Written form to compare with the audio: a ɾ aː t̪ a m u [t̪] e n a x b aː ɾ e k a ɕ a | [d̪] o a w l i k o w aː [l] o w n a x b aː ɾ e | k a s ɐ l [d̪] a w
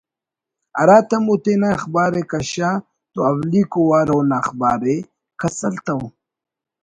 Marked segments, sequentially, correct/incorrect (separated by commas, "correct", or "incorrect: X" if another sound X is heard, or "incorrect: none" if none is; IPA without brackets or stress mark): correct, incorrect: t̪, incorrect: ɾ, incorrect: t̪